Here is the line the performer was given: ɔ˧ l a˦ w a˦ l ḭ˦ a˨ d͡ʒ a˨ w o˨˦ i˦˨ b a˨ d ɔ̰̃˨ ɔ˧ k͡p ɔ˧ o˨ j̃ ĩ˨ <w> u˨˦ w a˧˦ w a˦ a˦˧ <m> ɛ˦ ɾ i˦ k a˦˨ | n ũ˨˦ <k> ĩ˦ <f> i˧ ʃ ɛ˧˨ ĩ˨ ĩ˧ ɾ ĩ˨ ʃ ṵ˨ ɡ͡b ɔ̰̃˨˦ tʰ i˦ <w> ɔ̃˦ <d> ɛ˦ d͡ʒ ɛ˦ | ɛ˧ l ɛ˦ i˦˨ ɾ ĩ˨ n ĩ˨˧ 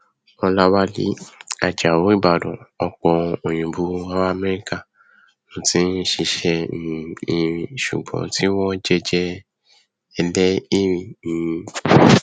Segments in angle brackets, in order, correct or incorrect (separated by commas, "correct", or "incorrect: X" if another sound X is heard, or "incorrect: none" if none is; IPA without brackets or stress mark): incorrect: b, correct, incorrect: t, incorrect: ʃ, correct, incorrect: d͡ʒ